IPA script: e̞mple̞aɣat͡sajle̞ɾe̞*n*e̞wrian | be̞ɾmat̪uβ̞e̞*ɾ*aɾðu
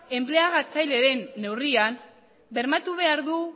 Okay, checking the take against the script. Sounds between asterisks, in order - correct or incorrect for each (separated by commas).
incorrect, incorrect